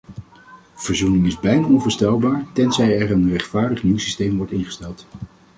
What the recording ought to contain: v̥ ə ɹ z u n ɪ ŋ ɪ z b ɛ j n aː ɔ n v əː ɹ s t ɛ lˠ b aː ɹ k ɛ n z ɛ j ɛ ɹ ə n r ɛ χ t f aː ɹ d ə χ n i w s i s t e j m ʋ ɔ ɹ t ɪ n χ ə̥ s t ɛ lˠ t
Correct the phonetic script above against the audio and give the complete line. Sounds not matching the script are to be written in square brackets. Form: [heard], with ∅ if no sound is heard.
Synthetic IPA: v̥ ə ɹ z u n ɪ ŋ ɪ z b ɛ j n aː ɔ n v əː ɹ s t ɛ lˠ b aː ɹ [t] ɛ n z ɛ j ɛ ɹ ə n r ɛ χ t f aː ɹ d ə χ n i w s i s t e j m ʋ ɔ ɹ t ɪ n χ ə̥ s t ɛ lˠ t